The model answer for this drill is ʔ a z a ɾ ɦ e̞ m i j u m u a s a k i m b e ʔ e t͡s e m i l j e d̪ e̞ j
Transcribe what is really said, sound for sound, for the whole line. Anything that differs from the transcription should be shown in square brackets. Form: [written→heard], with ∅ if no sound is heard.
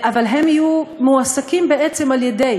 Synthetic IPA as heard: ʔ a [z→v] a [ɾ→l] ɦ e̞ m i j u m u a s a k i m b e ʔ e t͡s e m [i→a] l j e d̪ e̞ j